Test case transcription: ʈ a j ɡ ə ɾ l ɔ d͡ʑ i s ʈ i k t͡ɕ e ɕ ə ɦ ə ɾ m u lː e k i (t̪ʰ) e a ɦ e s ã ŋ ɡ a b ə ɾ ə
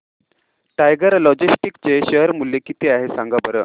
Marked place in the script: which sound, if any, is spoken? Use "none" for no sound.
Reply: t̪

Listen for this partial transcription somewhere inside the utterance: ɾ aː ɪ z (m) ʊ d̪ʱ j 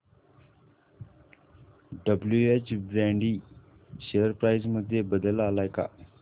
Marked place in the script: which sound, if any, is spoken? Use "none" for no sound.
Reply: m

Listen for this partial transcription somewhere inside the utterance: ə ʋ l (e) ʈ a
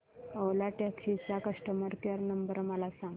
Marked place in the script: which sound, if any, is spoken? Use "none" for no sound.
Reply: a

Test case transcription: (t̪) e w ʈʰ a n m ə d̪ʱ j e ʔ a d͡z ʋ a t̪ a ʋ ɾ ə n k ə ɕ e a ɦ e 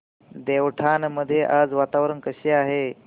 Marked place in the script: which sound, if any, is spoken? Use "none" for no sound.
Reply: d̪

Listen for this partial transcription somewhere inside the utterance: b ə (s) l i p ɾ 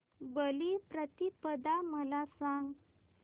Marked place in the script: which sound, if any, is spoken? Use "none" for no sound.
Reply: none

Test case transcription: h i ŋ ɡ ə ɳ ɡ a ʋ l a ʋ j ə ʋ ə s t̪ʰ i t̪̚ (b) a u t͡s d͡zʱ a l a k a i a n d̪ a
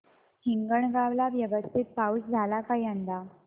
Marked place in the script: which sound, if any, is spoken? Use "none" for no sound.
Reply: p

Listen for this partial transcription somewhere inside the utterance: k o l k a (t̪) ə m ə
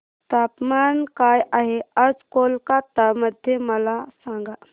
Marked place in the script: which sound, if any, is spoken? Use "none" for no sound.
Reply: t̪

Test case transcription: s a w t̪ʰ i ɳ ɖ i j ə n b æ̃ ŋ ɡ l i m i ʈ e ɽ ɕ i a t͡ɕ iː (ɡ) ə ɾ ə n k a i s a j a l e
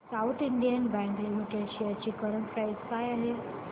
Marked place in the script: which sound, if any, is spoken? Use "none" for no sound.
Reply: k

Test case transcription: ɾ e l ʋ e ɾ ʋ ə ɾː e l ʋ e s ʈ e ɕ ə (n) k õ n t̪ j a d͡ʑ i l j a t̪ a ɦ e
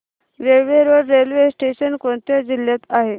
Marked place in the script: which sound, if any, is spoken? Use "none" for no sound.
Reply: n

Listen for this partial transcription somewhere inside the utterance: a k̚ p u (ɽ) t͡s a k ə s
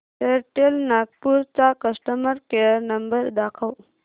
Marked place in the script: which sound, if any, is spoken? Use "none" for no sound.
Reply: ɾ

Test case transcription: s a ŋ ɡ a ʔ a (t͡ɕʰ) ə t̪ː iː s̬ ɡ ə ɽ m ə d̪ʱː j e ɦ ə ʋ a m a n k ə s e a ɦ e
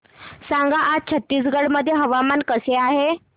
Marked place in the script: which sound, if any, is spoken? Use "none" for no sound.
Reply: t͡ɕʰ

